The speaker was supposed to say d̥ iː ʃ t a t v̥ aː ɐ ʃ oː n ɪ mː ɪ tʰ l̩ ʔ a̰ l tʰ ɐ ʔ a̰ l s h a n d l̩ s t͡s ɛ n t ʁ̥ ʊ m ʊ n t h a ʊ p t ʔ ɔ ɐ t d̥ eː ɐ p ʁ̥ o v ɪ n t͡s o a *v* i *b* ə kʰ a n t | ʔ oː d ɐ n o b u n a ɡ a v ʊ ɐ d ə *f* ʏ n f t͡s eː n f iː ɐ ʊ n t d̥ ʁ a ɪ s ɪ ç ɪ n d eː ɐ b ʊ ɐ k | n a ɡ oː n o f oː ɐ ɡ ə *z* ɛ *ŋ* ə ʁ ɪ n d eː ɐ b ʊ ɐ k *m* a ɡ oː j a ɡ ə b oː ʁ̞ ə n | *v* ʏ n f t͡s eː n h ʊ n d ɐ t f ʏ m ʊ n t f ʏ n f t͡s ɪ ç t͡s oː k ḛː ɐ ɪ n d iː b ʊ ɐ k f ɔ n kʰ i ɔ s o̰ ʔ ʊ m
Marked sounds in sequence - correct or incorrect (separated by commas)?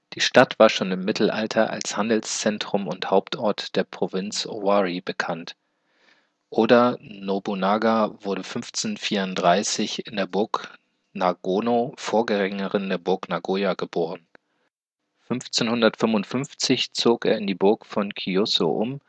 incorrect, correct, correct, incorrect, correct, incorrect, incorrect